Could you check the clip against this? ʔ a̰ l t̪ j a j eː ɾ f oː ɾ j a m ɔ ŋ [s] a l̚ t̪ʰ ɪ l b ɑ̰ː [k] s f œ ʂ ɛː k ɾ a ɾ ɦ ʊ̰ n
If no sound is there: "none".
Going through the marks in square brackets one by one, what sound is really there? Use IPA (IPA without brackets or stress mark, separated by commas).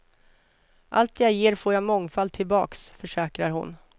f, k